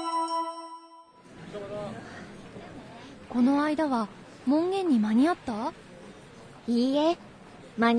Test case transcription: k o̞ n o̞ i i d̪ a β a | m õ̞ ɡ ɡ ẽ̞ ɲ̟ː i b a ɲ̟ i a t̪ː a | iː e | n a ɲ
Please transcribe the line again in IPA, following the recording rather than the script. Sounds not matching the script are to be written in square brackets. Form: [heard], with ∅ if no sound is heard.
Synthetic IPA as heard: k o̞ n o̞ [a] i d̪ a β a | m õ̞ [ŋ] ɡ ẽ̞ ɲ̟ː i [m] a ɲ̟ i a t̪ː a | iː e | [m] a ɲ